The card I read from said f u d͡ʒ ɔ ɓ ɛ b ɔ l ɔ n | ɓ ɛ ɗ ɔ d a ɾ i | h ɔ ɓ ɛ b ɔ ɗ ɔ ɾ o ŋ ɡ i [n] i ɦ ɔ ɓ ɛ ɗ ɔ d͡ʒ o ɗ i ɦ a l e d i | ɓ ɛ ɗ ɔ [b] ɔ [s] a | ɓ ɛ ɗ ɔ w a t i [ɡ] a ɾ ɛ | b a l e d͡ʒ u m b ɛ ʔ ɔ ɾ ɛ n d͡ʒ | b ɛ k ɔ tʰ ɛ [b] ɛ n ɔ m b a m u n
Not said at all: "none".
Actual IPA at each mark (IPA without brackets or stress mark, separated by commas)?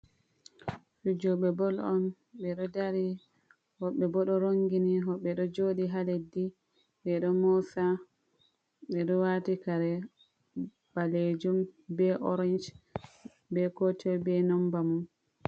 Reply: n, m, s, k, b